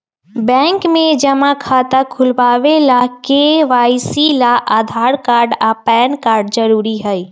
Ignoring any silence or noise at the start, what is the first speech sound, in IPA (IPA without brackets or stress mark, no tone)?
b